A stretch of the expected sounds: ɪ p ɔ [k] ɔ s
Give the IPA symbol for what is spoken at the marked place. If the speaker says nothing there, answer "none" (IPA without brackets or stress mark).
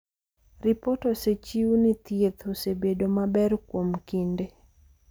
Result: t